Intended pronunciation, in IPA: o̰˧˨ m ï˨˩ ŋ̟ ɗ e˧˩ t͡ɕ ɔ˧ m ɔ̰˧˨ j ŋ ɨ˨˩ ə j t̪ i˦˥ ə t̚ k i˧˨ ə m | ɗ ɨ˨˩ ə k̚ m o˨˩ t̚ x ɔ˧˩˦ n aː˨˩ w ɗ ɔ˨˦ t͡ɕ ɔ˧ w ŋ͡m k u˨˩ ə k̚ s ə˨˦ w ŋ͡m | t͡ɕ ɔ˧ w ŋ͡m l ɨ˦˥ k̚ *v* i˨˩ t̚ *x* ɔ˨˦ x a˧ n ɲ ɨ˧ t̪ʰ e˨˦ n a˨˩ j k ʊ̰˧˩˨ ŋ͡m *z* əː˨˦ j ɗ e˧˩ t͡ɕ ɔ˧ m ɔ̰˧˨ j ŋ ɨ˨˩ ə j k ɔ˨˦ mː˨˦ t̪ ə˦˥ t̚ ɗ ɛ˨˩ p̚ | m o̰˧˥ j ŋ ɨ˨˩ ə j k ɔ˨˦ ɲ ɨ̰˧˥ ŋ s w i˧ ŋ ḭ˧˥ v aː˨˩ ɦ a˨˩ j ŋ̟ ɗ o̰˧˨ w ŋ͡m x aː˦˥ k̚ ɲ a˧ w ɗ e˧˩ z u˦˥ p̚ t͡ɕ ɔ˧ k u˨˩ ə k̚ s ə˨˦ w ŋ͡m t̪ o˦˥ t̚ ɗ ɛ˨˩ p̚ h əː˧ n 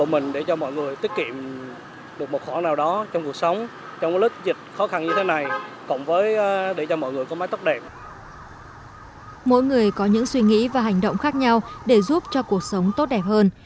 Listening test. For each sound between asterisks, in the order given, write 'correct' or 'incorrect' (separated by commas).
incorrect, correct, incorrect